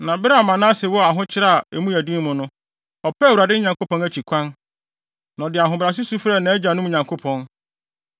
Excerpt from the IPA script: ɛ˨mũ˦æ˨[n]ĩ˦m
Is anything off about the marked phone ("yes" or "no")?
yes